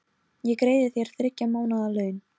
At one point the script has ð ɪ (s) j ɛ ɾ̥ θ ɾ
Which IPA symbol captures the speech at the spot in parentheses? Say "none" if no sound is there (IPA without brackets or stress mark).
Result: θ